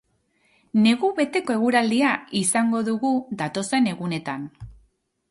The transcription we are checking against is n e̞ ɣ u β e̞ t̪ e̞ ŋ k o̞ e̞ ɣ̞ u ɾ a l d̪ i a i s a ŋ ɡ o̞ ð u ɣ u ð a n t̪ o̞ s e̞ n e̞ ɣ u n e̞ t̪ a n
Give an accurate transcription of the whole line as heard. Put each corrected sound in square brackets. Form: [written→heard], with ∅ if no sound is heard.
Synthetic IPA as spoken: n e̞ ɣ u β e̞ t̪ e̞ [ŋ→∅] k o̞ e̞ ɣ̞ u ɾ a l d̪ i a i s a ŋ ɡ o̞ ð u ɣ u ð a [n→∅] t̪ o̞ s e̞ n e̞ ɣ u n e̞ t̪ a n